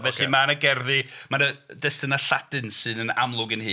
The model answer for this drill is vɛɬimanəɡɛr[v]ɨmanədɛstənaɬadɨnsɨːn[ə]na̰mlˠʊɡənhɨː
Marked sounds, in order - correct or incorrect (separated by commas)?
incorrect, correct